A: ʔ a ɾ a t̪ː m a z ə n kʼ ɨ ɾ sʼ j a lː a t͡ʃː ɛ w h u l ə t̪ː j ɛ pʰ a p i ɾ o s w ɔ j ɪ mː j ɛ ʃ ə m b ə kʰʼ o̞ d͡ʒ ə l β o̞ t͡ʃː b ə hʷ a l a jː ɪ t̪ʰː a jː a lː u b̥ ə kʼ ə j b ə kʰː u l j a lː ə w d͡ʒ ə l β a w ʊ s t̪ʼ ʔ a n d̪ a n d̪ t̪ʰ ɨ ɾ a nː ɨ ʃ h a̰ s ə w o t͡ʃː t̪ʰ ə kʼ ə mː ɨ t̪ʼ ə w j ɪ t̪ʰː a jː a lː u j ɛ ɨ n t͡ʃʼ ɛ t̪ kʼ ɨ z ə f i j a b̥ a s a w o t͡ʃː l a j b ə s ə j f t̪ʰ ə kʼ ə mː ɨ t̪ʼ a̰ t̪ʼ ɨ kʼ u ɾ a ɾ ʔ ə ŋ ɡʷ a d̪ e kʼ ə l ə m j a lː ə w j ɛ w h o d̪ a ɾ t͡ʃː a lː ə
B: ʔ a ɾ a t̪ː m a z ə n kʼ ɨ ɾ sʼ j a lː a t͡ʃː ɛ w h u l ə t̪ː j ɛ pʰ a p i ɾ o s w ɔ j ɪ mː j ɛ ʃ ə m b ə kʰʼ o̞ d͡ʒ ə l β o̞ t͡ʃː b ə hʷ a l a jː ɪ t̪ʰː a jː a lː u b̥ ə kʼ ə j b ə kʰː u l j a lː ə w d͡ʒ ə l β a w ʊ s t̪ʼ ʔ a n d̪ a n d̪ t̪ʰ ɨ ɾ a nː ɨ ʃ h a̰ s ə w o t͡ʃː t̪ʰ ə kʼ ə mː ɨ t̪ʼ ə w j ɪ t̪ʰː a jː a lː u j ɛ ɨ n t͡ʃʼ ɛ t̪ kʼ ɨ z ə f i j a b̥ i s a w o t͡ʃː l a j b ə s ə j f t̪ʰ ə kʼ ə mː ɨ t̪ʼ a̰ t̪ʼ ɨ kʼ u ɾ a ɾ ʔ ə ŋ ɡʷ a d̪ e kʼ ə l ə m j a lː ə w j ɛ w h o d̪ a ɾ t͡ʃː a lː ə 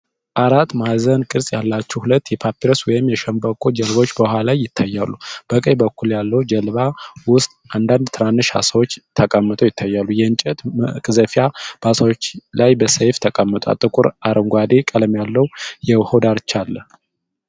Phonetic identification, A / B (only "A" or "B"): A